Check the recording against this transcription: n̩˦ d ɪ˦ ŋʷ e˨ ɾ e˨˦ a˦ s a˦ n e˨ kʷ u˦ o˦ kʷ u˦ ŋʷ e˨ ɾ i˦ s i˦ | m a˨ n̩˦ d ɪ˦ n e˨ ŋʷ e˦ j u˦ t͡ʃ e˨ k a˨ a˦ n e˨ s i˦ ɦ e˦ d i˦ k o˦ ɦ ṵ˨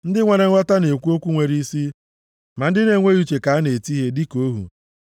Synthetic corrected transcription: n̩˦ d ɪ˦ ŋʷ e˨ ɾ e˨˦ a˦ t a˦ n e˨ kʷ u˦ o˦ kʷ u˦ ŋʷ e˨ ɾ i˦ s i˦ | m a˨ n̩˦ d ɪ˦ n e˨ ŋʷ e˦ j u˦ t͡ʃ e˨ k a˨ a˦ n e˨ t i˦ ɦ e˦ d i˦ k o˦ ɦ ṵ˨